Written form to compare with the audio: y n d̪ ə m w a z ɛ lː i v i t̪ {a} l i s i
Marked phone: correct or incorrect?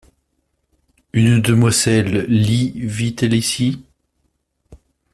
incorrect